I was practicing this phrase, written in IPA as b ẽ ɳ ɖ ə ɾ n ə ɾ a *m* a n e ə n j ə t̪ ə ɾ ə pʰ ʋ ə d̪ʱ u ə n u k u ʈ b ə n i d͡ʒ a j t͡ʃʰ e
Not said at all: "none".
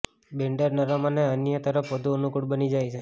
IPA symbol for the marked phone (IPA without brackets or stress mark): m